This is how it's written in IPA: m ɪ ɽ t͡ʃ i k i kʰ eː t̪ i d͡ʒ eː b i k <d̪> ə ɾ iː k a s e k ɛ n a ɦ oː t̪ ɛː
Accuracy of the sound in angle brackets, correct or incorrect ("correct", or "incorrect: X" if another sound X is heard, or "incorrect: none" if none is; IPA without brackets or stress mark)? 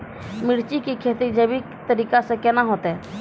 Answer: incorrect: t̪